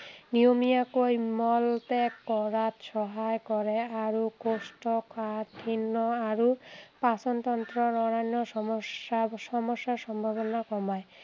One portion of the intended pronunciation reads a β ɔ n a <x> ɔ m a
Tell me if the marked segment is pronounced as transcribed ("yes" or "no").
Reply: no